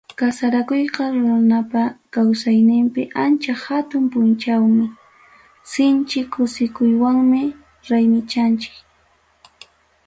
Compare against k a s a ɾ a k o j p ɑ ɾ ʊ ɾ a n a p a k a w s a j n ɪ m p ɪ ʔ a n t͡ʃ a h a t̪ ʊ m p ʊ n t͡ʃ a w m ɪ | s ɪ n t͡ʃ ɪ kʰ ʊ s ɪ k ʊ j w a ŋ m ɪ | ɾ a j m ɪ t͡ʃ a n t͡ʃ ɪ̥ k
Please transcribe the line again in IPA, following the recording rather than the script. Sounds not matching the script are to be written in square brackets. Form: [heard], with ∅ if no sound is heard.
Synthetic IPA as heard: k a s a ɾ a k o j [q] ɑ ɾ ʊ ɾ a n a p a k a w s a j n ɪ m p ɪ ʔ a n t͡ʃ a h a t̪ ʊ m p ʊ n t͡ʃ a w m ɪ | s ɪ n t͡ʃ ɪ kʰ ʊ s ɪ k ʊ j w a ŋ m ɪ | ɾ a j m ɪ t͡ʃ a n t͡ʃ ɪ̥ k